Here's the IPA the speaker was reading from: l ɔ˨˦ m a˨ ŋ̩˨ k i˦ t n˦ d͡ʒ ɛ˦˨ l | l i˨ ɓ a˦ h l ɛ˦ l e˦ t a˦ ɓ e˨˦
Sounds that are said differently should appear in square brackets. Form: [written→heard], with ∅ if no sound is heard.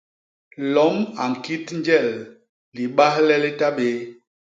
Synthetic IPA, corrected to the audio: l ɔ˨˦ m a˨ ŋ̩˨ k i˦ t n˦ d͡ʒ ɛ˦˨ l | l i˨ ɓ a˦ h l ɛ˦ l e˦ t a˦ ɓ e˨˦